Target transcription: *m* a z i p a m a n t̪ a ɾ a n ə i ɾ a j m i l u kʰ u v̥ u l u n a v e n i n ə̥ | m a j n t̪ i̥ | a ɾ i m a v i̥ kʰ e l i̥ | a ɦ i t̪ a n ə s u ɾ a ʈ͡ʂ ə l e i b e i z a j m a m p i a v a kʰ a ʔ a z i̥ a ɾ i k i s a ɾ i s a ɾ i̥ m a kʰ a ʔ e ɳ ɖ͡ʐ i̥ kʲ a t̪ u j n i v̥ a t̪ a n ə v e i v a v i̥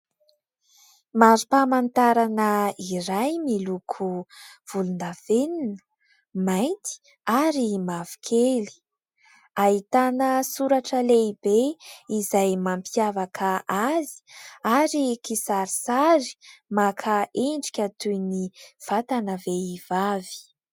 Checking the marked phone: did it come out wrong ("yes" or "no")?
no